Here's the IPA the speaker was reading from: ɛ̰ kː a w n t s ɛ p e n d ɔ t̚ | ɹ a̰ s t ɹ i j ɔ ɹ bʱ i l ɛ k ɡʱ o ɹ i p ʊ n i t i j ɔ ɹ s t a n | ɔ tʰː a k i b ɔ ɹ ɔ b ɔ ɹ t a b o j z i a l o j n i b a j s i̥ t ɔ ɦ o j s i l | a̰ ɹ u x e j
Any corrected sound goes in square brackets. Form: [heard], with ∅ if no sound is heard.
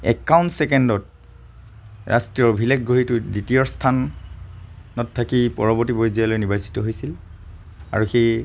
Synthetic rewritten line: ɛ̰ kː a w n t s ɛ [k] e n d ɔ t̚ | ɹ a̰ s t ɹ i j ɔ ɹ bʱ i l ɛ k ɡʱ o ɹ i [t] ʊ [d] i t i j ɔ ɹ s [tʰ] a n | ɔ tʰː a k i [p] ɔ ɹ ɔ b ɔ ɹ t [i] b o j z i a l o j n i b a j s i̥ t ɔ ɦ o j s i l | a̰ ɹ u x e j